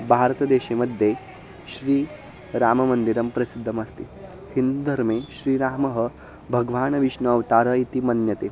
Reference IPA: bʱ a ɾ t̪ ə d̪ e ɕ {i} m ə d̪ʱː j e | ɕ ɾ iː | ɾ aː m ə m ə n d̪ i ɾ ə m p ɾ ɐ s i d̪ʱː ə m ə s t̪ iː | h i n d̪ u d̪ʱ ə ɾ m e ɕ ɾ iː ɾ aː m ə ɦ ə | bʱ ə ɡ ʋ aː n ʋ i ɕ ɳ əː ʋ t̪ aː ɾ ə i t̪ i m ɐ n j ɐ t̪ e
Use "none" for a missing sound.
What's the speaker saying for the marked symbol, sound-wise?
e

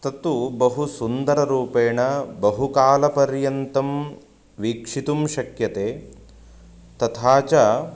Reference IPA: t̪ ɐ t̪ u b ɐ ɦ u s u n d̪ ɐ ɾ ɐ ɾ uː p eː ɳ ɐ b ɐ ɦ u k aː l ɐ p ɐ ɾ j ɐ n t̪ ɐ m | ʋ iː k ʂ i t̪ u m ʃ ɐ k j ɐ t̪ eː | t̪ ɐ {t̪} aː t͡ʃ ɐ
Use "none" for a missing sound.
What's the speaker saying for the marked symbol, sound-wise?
t̪ʰ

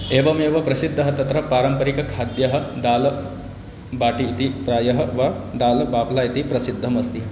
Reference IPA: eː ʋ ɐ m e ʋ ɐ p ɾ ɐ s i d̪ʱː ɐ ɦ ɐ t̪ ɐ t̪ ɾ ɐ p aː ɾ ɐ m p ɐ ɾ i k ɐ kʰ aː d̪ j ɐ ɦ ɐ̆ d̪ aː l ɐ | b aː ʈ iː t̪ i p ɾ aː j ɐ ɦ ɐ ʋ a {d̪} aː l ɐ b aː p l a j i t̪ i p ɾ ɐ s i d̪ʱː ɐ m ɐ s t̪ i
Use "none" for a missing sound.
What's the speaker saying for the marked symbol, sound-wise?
d̪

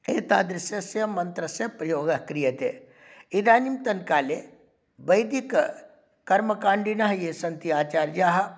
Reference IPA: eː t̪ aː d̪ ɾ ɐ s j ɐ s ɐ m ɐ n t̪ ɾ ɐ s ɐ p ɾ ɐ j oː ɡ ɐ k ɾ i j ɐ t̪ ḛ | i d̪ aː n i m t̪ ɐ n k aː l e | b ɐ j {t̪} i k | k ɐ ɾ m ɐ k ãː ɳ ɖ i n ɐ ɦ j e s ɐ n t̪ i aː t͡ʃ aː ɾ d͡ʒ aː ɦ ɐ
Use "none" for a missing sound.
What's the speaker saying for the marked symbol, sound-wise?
d̪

